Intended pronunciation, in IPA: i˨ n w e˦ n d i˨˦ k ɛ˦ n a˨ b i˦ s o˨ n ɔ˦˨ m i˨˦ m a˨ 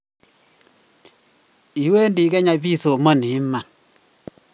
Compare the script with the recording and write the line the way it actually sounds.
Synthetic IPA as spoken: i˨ w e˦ n d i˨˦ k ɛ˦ ɲ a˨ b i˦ s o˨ m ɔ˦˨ n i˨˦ m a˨